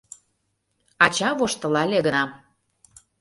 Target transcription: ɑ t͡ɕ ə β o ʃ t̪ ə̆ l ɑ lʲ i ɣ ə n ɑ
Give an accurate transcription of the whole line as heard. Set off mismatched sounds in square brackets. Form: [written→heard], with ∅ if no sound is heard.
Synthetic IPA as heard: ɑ t͡ɕ [ə→ɑ] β o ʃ t̪ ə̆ l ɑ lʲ [i→e] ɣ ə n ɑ